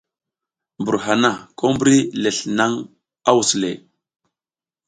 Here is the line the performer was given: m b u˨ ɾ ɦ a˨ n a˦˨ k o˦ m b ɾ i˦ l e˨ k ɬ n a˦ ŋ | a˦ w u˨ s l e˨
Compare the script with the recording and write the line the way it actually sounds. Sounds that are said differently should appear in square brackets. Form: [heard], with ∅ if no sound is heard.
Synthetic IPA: m b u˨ ɾ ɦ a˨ n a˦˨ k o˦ m b ɾ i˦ l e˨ [∅] ɬ n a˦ ŋ | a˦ w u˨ s l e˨